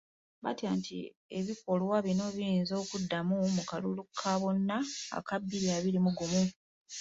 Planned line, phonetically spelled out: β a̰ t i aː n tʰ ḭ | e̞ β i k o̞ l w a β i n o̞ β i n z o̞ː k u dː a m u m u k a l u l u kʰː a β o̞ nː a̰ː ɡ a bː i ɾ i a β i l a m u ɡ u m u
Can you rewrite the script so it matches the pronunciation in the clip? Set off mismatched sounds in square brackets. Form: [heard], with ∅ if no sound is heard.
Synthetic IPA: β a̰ t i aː n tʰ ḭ | e̞ β i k o̞ l w a β i n o̞ β i n z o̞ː k u dː a m u m u k a l u l u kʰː a β o̞ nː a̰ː [k] a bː i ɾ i a β i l [i] m u ɡ u m u